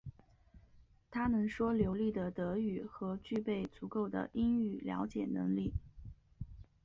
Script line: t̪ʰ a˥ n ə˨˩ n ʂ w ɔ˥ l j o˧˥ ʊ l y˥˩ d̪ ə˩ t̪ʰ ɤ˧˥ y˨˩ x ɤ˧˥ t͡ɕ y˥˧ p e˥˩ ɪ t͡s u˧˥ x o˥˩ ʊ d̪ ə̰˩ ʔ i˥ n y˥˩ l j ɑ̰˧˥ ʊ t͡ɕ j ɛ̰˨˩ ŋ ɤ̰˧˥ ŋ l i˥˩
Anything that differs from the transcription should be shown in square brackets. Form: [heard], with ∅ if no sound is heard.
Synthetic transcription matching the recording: t̪ʰ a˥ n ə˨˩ n ʂ w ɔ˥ l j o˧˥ ʊ l [i˥˩] d̪ ə˩ [t̪] ɤ˧˥ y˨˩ x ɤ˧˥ t͡ɕ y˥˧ p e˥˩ ɪ t͡s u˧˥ [k] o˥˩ ʊ d̪ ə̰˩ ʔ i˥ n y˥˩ l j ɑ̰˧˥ ʊ t͡ɕ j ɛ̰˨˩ [n] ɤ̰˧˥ ŋ l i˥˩

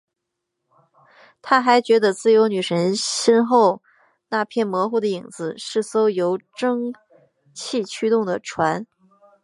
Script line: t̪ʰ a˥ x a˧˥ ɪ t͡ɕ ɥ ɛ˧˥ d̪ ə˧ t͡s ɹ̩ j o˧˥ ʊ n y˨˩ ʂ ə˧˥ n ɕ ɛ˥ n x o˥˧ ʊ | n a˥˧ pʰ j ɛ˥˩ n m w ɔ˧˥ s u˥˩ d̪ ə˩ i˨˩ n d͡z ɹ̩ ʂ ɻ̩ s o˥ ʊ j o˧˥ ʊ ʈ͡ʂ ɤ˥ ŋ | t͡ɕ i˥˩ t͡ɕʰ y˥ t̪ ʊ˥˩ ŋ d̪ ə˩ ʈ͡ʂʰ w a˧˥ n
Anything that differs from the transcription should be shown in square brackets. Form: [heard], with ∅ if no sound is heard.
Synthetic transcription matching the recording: t̪ʰ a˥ x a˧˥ ɪ t͡ɕ ɥ ɛ˧˥ d̪ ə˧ t͡s ɹ̩ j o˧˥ ʊ n y˨˩ ʂ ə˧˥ n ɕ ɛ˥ n x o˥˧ ʊ | n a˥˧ pʰ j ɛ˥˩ n m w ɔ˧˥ [x] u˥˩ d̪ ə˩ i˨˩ [ŋ] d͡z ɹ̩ ʂ ɻ̩ s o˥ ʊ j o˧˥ ʊ ʈ͡ʂ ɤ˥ ŋ | [t͡ɕʰ] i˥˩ t͡ɕʰ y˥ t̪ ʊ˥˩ ŋ d̪ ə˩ ʈ͡ʂʰ w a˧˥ n

